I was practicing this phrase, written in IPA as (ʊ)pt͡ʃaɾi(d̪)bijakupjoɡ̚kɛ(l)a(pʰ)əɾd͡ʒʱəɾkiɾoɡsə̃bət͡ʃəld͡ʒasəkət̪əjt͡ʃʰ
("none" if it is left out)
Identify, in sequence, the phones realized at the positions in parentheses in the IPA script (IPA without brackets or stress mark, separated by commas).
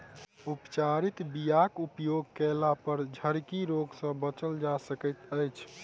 u, t̪, l, p